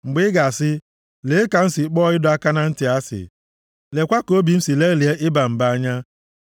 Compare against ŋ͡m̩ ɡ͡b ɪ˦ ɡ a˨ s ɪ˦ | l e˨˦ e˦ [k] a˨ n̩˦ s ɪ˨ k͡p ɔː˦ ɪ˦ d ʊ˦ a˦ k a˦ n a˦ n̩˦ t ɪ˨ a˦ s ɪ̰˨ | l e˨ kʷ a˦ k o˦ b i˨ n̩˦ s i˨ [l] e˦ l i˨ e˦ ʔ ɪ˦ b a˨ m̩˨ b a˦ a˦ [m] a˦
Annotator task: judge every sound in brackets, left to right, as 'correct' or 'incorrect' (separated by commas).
correct, correct, incorrect